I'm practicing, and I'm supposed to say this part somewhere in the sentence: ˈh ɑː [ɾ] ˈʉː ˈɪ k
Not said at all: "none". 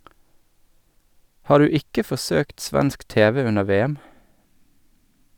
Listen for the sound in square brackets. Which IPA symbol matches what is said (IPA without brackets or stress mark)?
ɾ